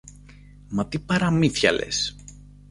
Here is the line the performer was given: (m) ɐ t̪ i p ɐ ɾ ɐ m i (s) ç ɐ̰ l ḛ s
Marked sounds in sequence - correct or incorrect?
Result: correct, incorrect: θ

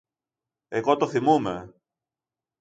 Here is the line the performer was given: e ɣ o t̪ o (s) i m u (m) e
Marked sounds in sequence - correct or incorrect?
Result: incorrect: θ, correct

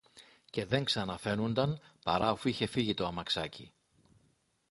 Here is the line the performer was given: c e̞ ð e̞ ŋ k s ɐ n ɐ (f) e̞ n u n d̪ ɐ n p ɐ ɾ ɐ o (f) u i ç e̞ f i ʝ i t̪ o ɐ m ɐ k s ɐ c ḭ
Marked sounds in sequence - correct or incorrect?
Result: correct, correct

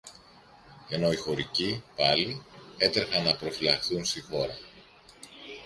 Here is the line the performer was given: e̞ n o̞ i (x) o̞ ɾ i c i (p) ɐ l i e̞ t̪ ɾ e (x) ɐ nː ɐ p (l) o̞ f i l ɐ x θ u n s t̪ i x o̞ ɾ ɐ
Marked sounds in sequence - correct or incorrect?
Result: correct, correct, correct, incorrect: ɾ

